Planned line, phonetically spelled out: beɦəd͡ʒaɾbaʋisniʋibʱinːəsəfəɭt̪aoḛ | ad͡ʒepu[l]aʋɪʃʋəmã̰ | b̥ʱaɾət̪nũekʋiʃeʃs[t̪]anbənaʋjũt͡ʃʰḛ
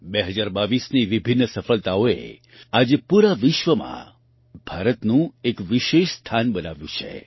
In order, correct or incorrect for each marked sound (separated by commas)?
incorrect, incorrect